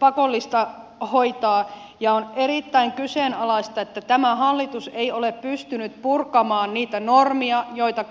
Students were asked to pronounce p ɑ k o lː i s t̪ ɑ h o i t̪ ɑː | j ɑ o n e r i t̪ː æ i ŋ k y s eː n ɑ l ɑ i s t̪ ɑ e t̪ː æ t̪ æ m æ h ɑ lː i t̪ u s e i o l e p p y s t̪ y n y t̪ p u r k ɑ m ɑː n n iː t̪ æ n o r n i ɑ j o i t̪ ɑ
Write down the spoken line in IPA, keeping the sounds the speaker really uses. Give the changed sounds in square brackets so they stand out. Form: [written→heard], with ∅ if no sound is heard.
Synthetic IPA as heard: p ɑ k o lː i s t̪ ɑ h o i t̪ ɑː | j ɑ o n e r i t̪ː æ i ŋ k y s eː n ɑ l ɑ i s t̪ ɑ e t̪ː æ t̪ æ m æ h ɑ lː i t̪ u s e i o l e p p y s t̪ y n y t̪ p u r k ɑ m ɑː n n iː t̪ æ n o r [n→m] i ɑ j o i t̪ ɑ